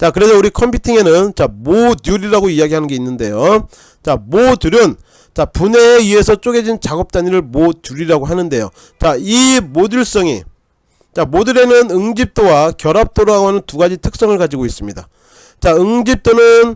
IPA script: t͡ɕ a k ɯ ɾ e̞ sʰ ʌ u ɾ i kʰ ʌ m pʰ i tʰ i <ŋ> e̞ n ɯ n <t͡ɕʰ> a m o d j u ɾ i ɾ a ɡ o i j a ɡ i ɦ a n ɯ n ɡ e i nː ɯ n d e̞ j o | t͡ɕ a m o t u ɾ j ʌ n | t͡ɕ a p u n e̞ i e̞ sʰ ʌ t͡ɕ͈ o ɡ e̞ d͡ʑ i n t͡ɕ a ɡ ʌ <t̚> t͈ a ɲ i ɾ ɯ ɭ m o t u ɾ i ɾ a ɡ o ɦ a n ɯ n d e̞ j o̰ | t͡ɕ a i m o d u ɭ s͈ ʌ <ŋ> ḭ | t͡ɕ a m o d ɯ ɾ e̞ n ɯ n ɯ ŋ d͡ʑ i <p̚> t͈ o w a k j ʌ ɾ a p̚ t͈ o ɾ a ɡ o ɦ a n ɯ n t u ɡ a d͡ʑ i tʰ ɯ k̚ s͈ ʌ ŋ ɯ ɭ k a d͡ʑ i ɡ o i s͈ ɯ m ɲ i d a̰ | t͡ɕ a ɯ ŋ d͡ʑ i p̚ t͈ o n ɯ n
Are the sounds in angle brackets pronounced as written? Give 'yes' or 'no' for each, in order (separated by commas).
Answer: yes, no, no, yes, yes